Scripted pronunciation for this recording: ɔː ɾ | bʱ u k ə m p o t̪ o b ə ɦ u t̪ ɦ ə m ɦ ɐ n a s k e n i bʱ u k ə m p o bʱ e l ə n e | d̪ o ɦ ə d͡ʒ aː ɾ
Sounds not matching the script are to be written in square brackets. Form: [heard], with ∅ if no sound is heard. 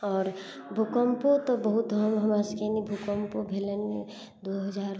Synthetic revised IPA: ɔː ɾ | bʱ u k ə m p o t̪ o b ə ɦ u t̪ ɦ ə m ɦ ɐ [m] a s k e n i bʱ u k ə m p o bʱ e l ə n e | d̪ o ɦ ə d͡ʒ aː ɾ